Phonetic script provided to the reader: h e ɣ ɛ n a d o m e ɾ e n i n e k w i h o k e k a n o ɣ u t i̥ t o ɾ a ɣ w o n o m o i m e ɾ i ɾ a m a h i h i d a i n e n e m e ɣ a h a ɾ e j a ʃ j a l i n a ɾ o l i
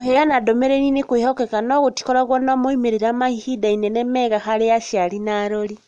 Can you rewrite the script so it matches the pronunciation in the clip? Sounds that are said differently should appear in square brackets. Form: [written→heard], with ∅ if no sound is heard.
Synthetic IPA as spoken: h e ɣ [ɛ→a] n a d o m e ɾ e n i n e k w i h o k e k a n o ɣ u t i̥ [t→k] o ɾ a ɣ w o n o m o i m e ɾ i ɾ a m a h i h i d a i n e n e m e ɣ a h a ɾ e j a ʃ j a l i n a ɾ o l i